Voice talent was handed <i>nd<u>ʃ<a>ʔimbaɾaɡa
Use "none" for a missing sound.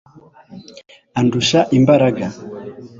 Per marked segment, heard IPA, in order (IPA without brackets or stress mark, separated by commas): a, u, a